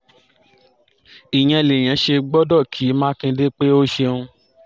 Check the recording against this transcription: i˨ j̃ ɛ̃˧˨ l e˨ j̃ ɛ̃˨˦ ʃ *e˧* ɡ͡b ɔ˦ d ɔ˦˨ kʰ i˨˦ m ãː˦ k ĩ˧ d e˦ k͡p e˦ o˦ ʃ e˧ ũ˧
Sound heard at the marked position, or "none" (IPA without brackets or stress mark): e˧